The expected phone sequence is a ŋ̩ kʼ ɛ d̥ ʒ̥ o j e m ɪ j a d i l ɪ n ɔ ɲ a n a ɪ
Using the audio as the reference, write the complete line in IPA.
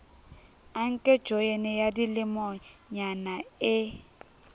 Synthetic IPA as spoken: a ŋ̩ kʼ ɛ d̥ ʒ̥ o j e n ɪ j a d i l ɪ m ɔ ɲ a n a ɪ